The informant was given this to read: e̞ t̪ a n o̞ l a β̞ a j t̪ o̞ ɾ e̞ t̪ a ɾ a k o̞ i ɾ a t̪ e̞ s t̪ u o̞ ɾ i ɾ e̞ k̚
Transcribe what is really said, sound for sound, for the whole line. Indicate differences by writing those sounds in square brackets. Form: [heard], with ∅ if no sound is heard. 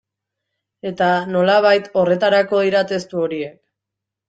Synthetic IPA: e̞ t̪ a n o̞ l a β̞ a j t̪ o̞ [r] e̞ t̪ a ɾ a k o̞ i ɾ a t̪ e̞ s t̪ u o̞ ɾ i [∅] e̞ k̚